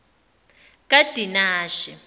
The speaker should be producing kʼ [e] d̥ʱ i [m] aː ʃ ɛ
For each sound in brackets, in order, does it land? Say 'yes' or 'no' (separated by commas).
no, no